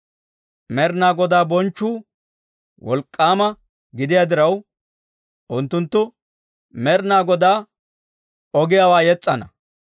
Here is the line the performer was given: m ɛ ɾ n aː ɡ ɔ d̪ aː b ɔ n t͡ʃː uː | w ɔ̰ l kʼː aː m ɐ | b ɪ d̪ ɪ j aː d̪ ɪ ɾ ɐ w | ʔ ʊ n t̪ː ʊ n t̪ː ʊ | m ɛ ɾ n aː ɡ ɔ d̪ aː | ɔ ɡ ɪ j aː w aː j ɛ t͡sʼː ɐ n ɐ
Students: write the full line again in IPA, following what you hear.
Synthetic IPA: m ɛ ɾ n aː ɡ ɔ d̪ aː b ɔ n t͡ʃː uː | w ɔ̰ l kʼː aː m ɐ | ɡ ɪ d̪ ɪ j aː d̪ ɪ ɾ ɐ w | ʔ ʊ n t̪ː ʊ n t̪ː ʊ | m ɛ ɾ n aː ɡ ɔ d̪ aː | ɔ ɡ ɪ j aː w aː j ɛ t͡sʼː ɐ n ɐ